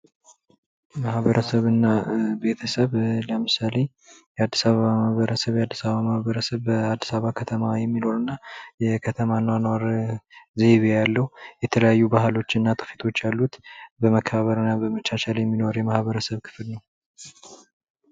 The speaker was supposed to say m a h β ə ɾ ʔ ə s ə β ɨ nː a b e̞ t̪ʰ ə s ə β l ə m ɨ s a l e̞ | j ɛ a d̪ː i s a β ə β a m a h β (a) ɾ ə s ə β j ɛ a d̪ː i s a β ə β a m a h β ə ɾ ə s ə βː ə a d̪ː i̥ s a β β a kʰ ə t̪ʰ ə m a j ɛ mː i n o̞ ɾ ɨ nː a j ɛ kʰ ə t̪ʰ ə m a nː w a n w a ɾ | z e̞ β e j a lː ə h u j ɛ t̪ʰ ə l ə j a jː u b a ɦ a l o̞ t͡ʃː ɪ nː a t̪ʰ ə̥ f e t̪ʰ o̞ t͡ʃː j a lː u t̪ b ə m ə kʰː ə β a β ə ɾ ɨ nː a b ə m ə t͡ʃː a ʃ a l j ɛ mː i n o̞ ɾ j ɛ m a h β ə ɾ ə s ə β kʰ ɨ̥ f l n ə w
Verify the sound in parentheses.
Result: incorrect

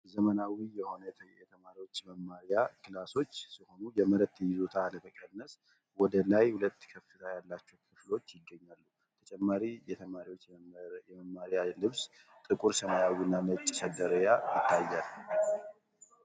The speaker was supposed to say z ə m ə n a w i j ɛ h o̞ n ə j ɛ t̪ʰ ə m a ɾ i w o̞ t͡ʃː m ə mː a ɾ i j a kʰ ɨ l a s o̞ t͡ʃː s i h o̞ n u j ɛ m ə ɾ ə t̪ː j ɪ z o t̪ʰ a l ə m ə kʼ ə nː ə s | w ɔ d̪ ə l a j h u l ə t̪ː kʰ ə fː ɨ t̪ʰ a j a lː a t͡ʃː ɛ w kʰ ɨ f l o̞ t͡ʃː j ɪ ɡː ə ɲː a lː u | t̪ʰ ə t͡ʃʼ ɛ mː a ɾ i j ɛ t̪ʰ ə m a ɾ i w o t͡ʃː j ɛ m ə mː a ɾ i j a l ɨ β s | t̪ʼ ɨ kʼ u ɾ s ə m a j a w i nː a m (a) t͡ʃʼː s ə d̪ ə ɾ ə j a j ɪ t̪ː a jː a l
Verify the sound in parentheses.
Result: incorrect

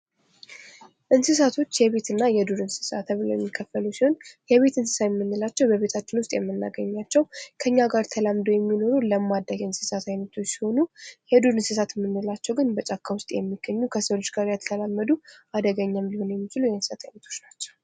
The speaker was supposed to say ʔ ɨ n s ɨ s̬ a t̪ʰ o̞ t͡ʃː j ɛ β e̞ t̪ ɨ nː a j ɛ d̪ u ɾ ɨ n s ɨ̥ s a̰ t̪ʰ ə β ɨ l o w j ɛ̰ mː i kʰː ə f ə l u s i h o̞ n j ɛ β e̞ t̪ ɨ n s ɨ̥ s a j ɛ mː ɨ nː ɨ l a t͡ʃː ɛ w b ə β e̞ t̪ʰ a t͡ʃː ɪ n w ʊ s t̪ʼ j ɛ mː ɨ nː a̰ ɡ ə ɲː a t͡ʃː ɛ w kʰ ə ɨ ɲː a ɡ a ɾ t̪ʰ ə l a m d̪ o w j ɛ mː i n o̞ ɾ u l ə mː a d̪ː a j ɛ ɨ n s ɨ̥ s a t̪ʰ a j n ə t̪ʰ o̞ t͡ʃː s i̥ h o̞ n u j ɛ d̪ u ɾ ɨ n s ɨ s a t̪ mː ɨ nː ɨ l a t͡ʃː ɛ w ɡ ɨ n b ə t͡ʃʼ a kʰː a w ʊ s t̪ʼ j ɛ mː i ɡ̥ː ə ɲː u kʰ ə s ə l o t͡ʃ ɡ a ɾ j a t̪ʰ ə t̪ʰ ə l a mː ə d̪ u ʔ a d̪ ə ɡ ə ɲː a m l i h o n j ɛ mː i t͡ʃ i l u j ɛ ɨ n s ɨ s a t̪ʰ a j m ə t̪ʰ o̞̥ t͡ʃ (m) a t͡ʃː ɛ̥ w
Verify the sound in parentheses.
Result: incorrect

